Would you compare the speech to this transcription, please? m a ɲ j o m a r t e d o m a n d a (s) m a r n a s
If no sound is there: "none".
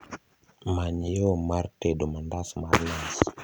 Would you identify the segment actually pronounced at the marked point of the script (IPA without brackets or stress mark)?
s